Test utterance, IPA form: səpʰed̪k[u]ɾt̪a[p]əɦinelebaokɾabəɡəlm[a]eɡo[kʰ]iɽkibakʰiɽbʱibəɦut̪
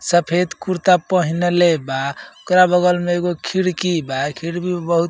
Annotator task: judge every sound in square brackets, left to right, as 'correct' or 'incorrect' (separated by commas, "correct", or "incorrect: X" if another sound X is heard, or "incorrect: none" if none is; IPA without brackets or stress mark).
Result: correct, correct, incorrect: e, correct